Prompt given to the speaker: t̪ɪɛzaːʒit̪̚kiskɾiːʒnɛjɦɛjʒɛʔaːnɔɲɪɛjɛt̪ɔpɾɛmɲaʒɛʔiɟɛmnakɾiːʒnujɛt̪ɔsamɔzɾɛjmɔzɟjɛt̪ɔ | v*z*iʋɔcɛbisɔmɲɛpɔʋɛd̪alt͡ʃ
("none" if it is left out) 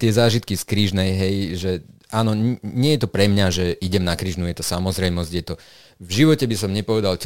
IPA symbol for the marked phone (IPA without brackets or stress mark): ʒ